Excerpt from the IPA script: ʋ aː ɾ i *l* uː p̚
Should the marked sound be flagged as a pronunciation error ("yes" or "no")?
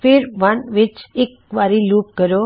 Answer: no